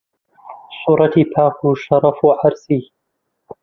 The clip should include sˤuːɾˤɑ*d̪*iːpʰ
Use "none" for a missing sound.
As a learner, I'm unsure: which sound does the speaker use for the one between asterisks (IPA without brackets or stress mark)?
t̪